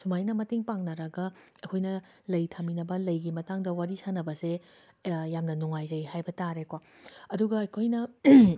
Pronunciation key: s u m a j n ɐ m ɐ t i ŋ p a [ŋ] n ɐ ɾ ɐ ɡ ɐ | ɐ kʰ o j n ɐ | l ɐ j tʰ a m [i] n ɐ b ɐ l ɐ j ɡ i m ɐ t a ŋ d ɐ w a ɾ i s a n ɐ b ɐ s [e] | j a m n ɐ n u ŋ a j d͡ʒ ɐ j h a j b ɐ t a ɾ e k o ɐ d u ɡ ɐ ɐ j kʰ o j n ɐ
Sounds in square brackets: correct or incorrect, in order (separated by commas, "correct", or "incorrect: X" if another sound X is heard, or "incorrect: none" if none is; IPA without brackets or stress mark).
correct, correct, correct